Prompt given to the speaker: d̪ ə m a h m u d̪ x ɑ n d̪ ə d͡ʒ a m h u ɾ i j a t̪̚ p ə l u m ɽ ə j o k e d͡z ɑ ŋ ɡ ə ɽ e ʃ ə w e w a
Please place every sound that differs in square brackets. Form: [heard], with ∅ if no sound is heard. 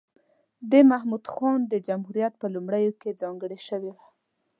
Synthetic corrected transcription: d̪ ə m a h m u d̪ x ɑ n d̪ ə d͡ʒ a m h u ɾ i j a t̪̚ p ə l u m ɽ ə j o k e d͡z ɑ ŋ ɡ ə ɽ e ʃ ə w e w a